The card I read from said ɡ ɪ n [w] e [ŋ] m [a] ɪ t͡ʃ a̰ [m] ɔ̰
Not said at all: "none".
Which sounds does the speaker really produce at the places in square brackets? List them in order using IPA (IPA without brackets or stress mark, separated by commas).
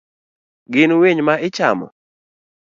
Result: w, ɲ, a, m